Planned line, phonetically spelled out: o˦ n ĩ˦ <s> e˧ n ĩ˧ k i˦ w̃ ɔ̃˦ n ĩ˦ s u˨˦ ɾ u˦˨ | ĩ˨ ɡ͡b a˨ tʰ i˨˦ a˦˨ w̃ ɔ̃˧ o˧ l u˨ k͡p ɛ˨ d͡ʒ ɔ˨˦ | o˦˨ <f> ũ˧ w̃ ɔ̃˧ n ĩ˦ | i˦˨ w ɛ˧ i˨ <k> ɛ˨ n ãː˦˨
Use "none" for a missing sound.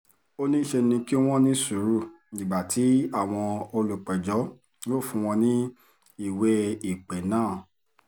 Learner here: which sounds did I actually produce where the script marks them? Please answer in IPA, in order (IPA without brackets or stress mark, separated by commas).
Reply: ʃ, f, k͡p